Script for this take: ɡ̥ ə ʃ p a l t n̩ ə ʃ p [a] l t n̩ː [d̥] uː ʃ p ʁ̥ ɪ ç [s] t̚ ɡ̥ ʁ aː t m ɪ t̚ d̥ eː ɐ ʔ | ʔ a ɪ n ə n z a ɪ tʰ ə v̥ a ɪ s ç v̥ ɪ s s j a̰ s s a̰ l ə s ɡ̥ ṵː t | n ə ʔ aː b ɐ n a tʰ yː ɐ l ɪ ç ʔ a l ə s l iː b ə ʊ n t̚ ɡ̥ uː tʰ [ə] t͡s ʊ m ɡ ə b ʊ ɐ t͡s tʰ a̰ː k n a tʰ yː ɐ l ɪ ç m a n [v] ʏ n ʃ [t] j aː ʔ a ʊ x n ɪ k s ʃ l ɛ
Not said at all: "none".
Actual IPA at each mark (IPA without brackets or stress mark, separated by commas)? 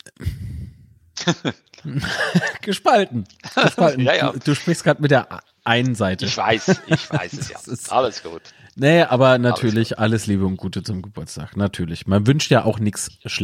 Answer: a, d̥, s, ə, v, t